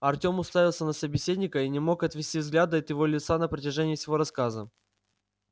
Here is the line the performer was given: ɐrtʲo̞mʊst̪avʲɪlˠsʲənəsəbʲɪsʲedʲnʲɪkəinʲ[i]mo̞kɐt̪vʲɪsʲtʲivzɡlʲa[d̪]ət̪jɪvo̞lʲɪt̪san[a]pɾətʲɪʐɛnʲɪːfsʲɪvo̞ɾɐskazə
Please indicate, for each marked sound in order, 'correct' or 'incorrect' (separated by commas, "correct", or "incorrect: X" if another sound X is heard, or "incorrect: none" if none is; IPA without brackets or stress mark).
incorrect: ɪ, correct, incorrect: ə